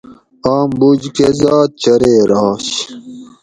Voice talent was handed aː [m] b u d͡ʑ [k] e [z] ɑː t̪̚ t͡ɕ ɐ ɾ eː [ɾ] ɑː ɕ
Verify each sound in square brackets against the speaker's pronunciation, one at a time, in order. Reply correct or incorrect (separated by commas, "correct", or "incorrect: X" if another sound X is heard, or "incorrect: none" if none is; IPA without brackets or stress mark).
correct, correct, correct, correct